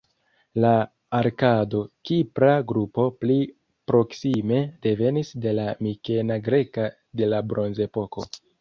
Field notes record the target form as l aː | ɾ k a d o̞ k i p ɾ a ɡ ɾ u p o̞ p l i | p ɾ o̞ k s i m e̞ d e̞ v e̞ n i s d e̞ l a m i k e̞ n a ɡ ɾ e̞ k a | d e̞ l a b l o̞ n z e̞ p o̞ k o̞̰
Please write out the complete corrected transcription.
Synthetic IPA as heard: l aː | ɾ k a d o̞ k i p ɾ a ɡ ɾ u p o̞ p l i | p ɾ o̞ k s i m e̞ d e̞ v e̞ n i s d e̞ l a m i k e̞ n a ɡ ɾ e̞ k a | d e̞ l a b ɾ o̞ n z e̞ p o̞ k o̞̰

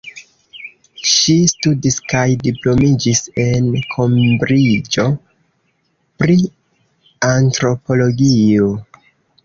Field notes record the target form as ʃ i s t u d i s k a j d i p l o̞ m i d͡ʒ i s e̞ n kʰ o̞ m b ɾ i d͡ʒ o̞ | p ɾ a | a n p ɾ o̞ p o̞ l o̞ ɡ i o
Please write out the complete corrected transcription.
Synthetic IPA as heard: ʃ i s t u d i s k a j d i p l o̞ m i d͡ʒ i s e̞ n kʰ o̞ m b ɾ i d͡ʒ o̞ | p ɾ i | a n t ɾ o̞ p o̞ l o̞ ɡ i o

